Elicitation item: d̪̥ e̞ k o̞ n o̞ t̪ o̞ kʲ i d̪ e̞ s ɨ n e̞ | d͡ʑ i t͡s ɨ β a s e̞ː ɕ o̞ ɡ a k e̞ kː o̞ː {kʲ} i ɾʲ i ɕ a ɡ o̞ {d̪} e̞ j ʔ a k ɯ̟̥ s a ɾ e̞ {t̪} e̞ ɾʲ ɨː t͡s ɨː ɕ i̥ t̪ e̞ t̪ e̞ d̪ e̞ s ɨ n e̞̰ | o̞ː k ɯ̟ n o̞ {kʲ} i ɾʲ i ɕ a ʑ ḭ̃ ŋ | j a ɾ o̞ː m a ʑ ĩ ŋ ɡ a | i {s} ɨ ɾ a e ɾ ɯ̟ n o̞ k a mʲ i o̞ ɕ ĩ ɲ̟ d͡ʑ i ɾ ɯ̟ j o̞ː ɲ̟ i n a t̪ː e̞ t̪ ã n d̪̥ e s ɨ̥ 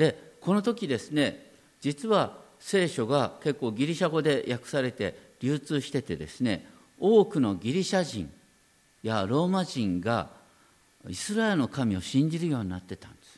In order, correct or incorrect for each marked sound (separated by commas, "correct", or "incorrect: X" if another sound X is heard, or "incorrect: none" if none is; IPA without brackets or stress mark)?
incorrect: ɡʲ, correct, correct, incorrect: ɡʲ, correct